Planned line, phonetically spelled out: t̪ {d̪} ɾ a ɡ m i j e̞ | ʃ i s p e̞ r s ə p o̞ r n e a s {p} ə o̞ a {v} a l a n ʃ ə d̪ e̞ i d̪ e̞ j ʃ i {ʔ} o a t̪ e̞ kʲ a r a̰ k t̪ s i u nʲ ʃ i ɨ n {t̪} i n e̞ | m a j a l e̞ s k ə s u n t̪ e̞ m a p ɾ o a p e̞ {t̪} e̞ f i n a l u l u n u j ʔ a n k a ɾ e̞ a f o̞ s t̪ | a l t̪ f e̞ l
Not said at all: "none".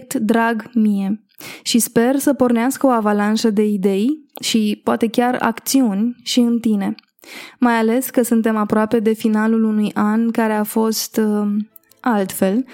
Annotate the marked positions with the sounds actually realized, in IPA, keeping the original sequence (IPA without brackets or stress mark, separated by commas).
d̪, k, v, p, t̪, d̪